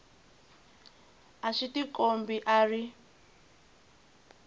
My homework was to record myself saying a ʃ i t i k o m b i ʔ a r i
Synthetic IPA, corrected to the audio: a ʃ i t i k o m b i ʔ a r i

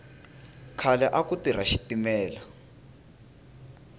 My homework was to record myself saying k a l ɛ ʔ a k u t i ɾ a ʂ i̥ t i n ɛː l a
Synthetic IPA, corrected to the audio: kʰ a l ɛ ʔ a k u t i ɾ a ʃ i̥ t i m ɛː l a

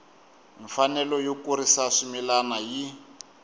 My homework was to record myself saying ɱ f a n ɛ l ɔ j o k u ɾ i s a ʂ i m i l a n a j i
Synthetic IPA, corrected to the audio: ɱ f a n ɛ l ɔ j o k u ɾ i s a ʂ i m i l a n a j i

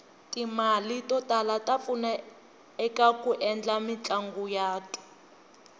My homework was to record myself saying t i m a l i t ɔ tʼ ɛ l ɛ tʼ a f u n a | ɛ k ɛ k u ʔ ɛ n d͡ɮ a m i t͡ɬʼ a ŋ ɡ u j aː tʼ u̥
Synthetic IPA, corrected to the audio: t i m a l i t ɔ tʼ a l a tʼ a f u n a | ɛ k a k u ʔ ɛ n d͡ɮ a m i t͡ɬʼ a ŋ ɡ u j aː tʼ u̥

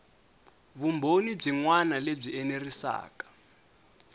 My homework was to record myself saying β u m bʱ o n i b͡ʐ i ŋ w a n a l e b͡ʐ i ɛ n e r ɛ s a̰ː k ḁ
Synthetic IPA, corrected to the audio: β u m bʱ o n i b͡ʐ i ŋ w a n a l e b͡ʐ i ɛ n e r i s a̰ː k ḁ

